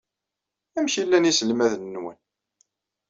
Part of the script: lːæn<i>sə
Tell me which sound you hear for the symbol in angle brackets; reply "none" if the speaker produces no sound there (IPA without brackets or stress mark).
i